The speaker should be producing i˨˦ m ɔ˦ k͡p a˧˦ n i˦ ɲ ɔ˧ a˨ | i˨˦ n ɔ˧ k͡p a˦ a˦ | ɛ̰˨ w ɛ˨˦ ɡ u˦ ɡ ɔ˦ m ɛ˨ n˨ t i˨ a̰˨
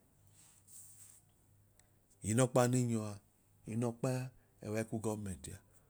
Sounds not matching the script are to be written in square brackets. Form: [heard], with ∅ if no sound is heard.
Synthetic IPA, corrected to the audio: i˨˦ [n] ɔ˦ k͡p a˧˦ n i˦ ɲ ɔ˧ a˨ | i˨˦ n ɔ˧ k͡p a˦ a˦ | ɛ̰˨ w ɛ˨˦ [k] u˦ ɡ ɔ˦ m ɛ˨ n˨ t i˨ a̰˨